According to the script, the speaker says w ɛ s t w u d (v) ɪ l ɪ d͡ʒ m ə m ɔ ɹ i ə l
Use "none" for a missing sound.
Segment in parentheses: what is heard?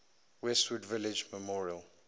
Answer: v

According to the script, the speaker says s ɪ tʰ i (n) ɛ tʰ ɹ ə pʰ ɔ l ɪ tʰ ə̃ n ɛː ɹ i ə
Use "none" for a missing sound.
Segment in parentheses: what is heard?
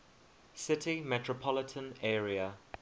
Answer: m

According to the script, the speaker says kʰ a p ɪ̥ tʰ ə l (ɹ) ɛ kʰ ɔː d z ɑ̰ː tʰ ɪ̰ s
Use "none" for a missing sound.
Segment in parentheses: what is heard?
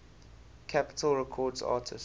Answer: ɹ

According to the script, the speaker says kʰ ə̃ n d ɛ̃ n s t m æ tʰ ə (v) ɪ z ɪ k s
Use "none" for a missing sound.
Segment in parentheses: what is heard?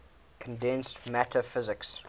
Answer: f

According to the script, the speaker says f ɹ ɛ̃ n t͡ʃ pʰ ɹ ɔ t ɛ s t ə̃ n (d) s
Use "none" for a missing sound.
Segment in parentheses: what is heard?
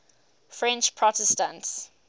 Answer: t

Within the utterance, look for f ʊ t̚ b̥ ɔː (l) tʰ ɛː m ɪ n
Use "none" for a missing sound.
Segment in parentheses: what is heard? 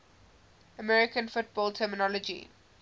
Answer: l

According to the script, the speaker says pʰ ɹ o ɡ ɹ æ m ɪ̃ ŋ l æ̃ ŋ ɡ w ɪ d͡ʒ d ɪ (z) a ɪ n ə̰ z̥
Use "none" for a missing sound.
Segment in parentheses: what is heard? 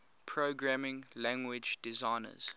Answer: z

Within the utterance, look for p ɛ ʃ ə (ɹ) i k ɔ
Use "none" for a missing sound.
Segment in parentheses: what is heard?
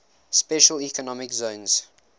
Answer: l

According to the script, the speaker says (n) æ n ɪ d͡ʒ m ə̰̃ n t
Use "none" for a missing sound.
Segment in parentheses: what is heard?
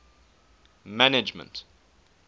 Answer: m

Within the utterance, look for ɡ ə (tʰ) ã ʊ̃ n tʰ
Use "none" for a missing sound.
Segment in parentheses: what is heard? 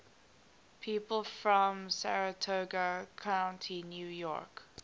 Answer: kʰ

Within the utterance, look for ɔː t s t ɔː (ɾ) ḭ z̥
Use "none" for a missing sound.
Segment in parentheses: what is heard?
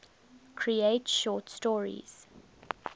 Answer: ɹ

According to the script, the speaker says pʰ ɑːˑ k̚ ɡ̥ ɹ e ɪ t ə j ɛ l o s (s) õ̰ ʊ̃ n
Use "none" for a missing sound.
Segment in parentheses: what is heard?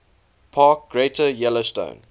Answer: t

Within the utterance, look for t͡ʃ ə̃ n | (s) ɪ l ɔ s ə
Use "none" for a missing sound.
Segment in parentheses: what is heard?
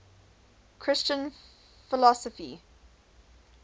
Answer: f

